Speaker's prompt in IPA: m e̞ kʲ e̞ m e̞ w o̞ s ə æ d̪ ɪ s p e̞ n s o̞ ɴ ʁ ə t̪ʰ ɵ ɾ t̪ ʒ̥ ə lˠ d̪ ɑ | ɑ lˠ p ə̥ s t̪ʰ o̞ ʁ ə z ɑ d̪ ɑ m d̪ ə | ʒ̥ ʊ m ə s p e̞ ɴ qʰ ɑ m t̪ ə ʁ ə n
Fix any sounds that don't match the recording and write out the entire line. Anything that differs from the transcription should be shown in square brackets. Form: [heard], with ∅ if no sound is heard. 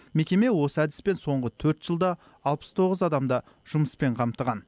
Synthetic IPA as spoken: m e̞ kʲ e̞ m e̞ w o̞ s ə æ d̪ ɪ s p e̞ n s o̞ ɴ ʁ ə t̪ʰ ɵ ɾ t̪ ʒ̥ ə lˠ d̪ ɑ | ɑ lˠ p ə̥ s t̪ʰ o̞ ʁ ə z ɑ d̪ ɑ m d̪ [ɑ] | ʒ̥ ʊ m ə s p e̞ ɴ qʰ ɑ m t̪ ə ʁ [ɑ] n